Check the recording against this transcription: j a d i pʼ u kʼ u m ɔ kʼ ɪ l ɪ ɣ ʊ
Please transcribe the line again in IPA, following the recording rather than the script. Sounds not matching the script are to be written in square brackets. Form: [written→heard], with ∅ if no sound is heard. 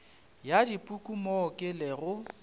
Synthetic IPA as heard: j a d i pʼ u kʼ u m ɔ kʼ ɪ l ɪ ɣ ʊ